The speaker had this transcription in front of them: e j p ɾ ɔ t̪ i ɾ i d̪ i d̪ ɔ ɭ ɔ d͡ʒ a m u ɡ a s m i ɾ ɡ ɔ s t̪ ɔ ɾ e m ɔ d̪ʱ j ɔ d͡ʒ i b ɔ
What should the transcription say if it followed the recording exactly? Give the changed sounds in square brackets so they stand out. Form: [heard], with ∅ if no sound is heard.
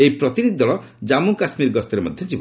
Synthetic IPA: e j p ɾ ɔ t̪ i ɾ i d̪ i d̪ ɔ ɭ ɔ d͡ʒ a m u [k] a s m i ɾ ɡ ɔ s t̪ ɔ ɾ e m ɔ d̪ʱ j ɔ d͡ʒ i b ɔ